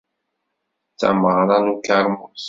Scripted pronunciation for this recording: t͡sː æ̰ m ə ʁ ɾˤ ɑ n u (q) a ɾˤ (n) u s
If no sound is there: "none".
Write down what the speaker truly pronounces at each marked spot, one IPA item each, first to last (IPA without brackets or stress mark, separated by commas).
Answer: k, m